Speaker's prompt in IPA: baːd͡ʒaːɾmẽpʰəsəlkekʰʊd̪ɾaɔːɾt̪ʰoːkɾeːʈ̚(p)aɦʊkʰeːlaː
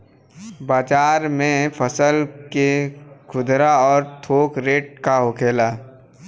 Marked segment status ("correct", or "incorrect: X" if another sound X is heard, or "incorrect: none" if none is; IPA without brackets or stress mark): incorrect: k